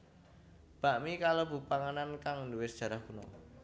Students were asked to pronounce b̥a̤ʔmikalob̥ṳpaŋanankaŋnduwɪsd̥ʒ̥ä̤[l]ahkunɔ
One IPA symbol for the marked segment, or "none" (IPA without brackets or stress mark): ɾ